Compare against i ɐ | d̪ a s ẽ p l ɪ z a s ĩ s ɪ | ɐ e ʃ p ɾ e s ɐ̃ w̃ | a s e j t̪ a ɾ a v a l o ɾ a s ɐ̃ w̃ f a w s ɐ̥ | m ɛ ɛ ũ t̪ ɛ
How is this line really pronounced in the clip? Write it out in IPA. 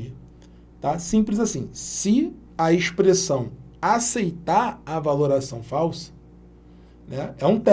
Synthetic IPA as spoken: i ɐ | t̪ a s ĩ p l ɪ z a s ĩ s ɪ | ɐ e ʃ p ɾ e s ɐ̃ w̃ | a s e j t̪ a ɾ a v a l o ɾ a s ɐ̃ w̃ f a w s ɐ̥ | n ɛ ɛ ũ t̪ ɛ